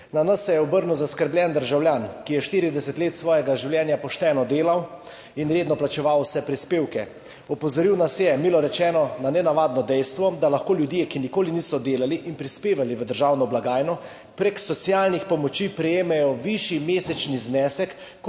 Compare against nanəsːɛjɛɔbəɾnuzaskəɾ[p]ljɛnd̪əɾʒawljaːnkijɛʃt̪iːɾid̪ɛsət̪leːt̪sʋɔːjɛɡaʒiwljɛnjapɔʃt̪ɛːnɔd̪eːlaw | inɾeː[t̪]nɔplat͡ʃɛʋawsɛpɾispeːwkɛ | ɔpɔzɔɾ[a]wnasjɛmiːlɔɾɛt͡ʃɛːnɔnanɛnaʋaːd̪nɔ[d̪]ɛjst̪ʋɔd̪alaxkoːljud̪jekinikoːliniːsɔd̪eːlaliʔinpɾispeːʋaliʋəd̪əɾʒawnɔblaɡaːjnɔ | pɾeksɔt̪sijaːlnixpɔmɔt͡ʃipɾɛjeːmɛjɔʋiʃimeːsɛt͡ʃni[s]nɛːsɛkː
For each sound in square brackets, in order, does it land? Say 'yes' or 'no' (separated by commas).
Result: no, no, no, yes, no